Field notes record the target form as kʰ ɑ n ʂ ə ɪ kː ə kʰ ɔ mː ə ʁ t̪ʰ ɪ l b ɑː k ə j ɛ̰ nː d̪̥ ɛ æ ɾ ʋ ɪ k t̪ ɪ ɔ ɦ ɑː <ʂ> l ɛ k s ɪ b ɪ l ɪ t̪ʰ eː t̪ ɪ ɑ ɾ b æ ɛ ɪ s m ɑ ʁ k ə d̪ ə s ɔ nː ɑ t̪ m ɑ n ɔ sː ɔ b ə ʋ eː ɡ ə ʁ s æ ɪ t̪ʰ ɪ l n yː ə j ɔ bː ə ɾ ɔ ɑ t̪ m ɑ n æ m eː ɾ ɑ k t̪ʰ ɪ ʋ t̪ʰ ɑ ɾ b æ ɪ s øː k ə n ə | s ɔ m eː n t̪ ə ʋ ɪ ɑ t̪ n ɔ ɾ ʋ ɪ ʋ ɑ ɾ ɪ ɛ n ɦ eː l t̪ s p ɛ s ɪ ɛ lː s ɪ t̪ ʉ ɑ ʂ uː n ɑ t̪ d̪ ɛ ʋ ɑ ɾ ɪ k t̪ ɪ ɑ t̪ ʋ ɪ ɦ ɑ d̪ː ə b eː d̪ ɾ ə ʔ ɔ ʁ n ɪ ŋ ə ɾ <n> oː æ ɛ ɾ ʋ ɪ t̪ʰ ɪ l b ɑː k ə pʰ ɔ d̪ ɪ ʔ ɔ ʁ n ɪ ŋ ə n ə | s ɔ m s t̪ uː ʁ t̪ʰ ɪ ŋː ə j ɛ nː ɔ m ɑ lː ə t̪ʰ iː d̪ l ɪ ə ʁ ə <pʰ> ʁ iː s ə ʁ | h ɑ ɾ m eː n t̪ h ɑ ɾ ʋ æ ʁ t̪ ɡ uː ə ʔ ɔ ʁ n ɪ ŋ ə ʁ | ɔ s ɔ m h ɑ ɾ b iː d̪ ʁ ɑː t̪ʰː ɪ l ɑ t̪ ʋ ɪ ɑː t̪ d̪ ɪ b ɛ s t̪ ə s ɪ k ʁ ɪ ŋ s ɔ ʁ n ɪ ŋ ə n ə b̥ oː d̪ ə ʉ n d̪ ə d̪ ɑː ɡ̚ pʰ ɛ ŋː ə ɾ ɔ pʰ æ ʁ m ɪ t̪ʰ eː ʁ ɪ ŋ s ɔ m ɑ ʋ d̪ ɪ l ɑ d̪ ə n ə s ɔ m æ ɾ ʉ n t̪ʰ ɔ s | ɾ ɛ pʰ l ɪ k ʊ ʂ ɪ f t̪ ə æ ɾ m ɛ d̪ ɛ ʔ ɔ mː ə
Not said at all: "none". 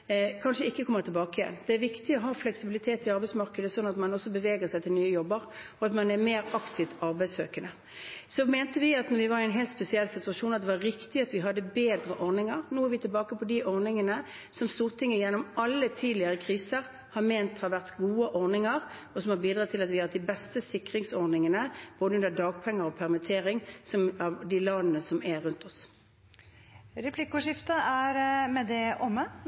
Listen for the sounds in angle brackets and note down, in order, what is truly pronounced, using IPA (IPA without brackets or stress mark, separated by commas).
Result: f, n, kʰ